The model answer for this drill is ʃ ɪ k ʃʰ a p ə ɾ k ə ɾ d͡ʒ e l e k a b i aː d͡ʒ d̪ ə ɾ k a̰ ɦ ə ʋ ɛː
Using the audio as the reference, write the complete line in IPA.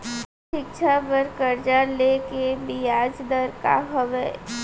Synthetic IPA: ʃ ɪ k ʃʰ a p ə ɾ k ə ɾ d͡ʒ a l e k e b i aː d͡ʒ d̪ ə ɾ k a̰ ɦ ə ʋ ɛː